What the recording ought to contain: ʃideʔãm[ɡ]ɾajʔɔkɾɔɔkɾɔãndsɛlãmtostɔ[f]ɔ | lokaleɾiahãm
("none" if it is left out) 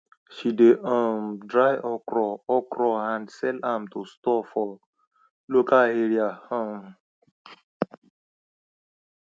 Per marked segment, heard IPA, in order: d, f

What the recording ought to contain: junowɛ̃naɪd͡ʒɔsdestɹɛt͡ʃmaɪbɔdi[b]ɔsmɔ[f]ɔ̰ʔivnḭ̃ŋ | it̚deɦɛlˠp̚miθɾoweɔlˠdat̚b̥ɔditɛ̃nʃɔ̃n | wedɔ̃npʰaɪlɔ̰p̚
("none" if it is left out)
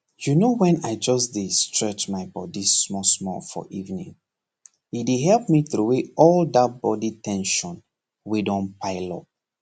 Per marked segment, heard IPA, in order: m, f

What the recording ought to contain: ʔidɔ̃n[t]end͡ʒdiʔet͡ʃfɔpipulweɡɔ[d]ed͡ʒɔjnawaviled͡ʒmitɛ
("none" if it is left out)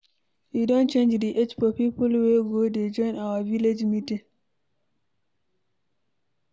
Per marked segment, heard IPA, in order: t͡ʃ, d

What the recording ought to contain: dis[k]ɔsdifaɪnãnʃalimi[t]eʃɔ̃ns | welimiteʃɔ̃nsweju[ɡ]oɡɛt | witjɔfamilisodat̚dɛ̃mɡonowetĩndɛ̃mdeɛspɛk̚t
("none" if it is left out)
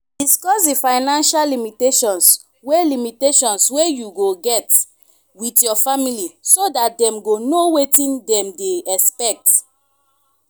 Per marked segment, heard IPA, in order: k, t, ɡ

